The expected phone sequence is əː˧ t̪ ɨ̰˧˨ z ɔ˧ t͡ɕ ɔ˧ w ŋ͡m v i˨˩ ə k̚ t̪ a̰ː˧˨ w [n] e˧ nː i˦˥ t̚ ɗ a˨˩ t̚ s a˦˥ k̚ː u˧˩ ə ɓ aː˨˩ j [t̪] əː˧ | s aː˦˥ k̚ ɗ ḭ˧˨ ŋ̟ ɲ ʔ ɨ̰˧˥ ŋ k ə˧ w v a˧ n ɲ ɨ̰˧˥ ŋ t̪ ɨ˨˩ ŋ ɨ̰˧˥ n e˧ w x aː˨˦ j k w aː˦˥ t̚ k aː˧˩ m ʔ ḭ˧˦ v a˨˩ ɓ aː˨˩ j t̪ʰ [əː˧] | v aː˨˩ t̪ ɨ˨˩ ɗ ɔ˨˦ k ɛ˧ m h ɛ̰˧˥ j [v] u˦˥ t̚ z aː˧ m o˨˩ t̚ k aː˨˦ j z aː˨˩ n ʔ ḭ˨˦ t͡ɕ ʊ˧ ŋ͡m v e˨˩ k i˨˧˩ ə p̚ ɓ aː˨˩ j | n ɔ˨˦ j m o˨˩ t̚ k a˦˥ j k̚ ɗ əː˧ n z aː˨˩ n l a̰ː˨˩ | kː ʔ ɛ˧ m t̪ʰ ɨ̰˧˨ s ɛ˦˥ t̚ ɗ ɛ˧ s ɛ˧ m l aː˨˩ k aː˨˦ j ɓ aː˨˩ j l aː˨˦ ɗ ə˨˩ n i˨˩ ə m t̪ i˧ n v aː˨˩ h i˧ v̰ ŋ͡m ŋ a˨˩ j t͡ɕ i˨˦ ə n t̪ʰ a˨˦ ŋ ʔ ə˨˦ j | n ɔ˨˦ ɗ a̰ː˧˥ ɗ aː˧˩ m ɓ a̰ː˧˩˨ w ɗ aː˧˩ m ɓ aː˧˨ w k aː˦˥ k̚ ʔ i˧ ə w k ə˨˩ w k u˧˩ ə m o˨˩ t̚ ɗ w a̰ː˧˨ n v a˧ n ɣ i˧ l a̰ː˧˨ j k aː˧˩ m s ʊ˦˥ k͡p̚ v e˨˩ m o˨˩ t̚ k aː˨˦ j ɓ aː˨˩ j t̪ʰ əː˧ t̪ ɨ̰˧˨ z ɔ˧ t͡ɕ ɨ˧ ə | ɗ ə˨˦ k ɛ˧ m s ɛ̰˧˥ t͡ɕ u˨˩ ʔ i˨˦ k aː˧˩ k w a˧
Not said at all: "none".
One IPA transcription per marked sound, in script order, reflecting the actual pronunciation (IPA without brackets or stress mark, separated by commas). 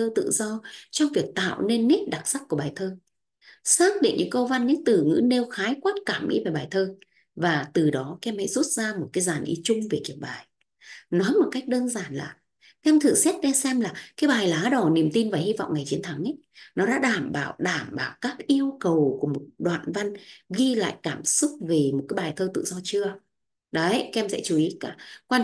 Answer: n, t̪ʰ, əː˧, z